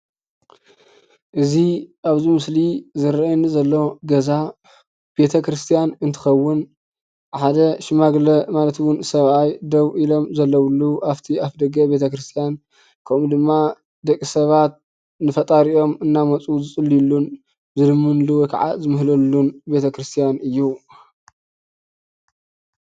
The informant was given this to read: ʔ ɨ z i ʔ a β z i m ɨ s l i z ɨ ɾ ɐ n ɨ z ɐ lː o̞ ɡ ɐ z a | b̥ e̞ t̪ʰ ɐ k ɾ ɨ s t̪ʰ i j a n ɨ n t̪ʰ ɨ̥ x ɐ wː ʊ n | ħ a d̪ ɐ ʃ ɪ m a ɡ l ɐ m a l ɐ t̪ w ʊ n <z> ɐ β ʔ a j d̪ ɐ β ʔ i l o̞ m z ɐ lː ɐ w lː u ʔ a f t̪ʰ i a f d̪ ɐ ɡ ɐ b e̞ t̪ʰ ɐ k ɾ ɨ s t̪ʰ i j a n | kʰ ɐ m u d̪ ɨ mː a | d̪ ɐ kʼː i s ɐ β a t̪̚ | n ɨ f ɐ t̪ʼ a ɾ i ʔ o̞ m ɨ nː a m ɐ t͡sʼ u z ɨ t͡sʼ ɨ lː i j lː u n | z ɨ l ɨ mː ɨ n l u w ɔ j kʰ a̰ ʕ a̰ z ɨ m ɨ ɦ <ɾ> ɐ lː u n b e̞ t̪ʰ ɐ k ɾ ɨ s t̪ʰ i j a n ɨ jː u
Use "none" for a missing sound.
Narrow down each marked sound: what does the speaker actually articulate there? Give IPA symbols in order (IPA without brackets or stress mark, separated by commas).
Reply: s, l